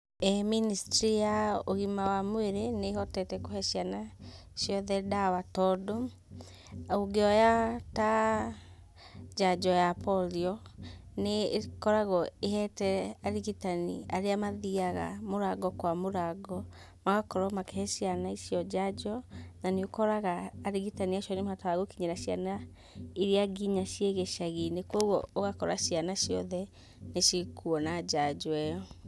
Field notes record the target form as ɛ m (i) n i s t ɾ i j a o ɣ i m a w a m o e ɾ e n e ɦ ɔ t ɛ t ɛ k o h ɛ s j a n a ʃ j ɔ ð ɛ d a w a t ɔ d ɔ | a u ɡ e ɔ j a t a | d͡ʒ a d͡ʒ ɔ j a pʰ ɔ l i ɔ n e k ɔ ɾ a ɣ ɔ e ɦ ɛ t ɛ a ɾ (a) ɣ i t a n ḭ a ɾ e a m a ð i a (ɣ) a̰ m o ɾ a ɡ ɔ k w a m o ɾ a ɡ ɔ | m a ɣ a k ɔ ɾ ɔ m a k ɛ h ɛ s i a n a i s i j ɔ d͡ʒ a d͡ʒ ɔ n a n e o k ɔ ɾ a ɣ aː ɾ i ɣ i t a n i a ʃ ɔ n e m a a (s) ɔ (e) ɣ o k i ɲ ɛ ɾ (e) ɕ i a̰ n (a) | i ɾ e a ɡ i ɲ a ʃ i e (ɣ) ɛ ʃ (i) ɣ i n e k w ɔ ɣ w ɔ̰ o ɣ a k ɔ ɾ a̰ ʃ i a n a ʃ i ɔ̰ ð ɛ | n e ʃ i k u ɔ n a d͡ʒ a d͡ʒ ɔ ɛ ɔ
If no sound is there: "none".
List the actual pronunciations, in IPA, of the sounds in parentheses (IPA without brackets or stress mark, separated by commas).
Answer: i, i, ɣ, t, a, a, a, ɣ, a